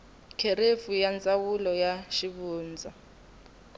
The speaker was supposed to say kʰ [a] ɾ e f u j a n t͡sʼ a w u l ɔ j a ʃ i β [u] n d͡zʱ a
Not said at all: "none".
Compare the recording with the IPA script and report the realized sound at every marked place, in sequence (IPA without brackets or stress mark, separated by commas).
e, uː